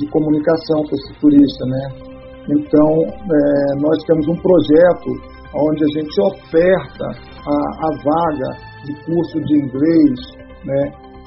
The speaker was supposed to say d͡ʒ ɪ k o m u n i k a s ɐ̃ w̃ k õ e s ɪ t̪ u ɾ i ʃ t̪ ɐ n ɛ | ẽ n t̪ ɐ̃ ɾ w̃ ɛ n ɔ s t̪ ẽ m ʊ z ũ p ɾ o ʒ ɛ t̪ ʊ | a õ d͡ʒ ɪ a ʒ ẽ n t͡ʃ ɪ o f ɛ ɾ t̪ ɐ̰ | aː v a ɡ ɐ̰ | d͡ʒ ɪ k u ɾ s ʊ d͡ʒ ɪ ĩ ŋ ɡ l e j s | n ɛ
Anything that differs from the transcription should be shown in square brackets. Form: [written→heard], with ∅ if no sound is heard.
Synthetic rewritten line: d͡ʒ ɪ k o m u n i k a s ɐ̃ w̃ k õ e s ɪ t̪ u ɾ i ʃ t̪ ɐ n ɛ | ẽ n t̪ ɐ̃ [ɾ→∅] w̃ ɛ n ɔ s t̪ ẽ m ʊ z ũ p ɾ o ʒ ɛ t̪ ʊ | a õ d͡ʒ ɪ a ʒ ẽ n t͡ʃ ɪ o f ɛ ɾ t̪ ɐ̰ | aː v a ɡ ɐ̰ | d͡ʒ ɪ k u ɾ s ʊ d͡ʒ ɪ ĩ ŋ ɡ l e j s | n ɛ